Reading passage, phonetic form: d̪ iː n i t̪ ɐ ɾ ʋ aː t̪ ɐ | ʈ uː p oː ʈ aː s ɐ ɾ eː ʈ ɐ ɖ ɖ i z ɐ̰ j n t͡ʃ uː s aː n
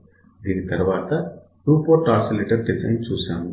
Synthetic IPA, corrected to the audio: d̪ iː n i t̪ ɐ ɾ ʋ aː t̪ ɐ | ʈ uː p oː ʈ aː s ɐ l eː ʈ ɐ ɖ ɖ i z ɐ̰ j n t͡ʃ uː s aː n